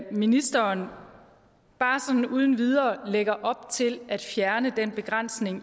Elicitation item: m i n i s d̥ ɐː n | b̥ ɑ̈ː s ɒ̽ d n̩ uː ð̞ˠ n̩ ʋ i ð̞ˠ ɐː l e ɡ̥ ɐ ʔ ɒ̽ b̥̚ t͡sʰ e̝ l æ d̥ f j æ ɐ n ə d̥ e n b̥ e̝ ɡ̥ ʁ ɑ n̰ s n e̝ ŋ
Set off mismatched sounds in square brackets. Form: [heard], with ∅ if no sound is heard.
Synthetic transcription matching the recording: m i n i s d̥ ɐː n | b̥ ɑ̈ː s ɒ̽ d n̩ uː ð̞ˠ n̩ ʋ i ð̞ˠ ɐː l e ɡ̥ ɐ ʔ ɒ̽ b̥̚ t͡sʰ e̝ l æ d̥ f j æ ɐ n ə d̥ e n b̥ e̝ ɡ̥ ʁ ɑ n̰ s n e̝ ŋ